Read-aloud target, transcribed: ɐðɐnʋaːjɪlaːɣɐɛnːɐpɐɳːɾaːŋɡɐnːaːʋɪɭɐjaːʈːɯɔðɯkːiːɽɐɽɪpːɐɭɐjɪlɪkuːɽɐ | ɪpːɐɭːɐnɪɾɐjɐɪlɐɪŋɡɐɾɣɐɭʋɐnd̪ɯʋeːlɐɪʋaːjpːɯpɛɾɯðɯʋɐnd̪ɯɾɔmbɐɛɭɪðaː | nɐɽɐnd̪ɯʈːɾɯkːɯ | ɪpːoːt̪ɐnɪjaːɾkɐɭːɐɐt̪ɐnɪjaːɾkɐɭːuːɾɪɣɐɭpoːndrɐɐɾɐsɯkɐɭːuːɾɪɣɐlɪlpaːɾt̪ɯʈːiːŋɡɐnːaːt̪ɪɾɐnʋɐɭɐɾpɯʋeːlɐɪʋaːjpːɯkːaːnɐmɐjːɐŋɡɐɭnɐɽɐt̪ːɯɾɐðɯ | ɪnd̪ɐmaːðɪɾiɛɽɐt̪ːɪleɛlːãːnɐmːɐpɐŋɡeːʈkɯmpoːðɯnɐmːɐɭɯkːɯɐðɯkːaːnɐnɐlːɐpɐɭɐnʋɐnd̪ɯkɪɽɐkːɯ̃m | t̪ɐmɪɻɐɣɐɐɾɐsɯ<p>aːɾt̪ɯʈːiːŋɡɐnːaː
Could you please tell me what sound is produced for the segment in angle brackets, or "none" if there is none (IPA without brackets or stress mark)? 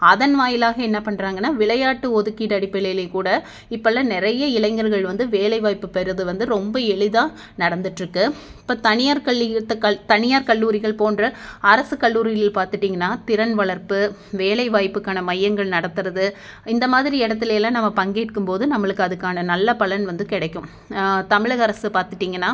p